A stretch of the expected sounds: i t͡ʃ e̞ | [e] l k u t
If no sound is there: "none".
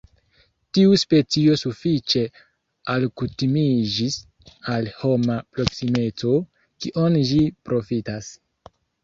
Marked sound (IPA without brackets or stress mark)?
a